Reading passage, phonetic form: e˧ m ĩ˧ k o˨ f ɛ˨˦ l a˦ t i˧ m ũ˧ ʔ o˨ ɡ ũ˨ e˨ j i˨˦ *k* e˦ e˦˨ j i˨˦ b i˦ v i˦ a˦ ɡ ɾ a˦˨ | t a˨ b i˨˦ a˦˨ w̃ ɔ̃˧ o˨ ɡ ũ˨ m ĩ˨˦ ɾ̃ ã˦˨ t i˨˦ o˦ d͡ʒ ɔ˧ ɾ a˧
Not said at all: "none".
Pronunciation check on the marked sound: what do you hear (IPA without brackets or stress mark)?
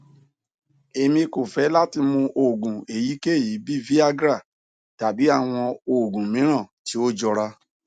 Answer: k